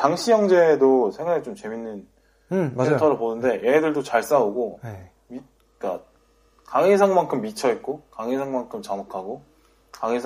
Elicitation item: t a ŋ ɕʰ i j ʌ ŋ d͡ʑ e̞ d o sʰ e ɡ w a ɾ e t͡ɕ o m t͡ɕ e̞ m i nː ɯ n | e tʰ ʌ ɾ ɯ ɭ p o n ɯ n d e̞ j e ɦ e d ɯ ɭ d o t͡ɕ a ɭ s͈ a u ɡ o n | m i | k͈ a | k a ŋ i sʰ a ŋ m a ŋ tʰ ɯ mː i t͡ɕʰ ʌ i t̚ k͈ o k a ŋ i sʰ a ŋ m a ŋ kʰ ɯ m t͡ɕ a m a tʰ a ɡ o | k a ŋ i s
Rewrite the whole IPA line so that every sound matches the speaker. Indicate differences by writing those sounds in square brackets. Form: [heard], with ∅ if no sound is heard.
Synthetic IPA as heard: t a ŋ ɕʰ i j ʌ ŋ d͡ʑ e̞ d o sʰ e [ŋ] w a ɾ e t͡ɕ o m t͡ɕ e̞ m i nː ɯ n | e tʰ ʌ ɾ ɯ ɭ p o n ɯ n d e̞ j e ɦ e d ɯ ɭ d o t͡ɕ a ɭ s͈ a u ɡ o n | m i | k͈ a | k a ŋ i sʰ a ŋ m a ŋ [kʰ] ɯ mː i t͡ɕʰ ʌ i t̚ k͈ o k a ŋ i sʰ a ŋ m a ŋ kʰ ɯ m t͡ɕ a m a [kʰ] a ɡ o | k a ŋ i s